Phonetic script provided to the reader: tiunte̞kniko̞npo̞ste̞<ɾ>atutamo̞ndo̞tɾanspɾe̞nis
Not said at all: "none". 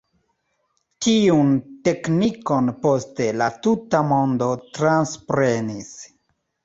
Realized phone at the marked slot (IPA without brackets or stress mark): l